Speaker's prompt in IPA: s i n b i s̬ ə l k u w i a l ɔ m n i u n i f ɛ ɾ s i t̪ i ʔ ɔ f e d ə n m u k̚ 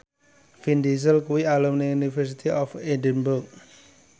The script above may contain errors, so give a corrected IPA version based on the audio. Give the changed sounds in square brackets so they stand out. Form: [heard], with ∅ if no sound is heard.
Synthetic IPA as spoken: [f] i n [d] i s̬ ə l k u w i a l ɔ m n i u n i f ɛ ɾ s i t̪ i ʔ ɔ f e d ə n [b] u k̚